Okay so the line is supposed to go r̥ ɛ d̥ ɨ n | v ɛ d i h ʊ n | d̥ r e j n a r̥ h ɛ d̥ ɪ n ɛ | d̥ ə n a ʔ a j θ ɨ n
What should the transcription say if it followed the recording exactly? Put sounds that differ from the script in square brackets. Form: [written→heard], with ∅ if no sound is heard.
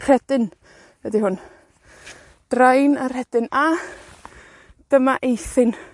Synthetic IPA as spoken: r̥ ɛ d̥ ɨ n | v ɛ d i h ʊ n | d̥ r [e→a] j n a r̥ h ɛ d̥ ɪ n [ɛ→a] | d̥ ə [n→m] a ʔ [a→e] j θ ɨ n